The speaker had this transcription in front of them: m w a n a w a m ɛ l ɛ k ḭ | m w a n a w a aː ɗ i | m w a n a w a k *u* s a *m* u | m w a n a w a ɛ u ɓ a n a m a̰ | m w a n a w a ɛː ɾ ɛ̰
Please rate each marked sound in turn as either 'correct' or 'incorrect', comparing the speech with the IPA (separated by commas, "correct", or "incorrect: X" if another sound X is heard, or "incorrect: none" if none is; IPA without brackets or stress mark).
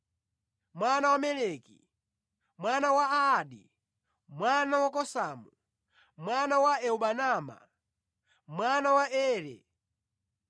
incorrect: ɔ, correct